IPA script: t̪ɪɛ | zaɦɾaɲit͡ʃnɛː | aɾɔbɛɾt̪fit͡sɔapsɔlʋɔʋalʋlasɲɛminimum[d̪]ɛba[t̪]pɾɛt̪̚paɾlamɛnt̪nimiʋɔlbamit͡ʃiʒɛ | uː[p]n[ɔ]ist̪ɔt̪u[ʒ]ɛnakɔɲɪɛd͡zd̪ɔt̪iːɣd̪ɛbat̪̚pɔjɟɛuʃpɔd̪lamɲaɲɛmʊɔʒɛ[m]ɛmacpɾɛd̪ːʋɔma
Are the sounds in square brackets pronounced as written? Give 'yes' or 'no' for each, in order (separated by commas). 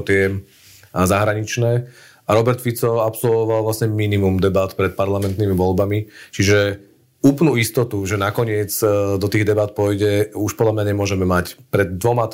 yes, yes, yes, no, yes, yes